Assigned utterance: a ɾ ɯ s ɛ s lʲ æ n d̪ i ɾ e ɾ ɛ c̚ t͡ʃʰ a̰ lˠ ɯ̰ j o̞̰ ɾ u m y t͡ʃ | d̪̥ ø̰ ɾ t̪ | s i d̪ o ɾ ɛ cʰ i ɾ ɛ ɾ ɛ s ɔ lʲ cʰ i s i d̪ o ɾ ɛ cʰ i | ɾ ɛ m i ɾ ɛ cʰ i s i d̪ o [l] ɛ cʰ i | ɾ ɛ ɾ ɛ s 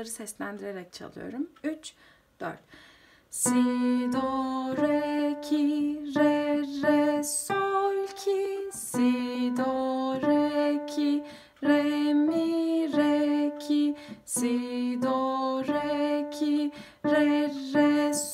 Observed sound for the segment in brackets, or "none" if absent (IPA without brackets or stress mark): ɾ